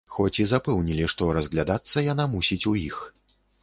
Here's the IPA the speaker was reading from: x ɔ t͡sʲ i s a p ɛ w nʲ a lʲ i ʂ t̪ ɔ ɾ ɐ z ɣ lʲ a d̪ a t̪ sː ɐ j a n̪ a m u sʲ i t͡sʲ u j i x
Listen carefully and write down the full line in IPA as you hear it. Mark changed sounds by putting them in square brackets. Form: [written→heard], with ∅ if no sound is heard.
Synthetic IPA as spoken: x ɔ t͡sʲ i [s→z] a p ɛ w nʲ [a→i] lʲ i ʂ t̪ ɔ ɾ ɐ z ɣ lʲ a d̪ a t̪ sː ɐ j a n̪ a m u sʲ i t͡sʲ u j i x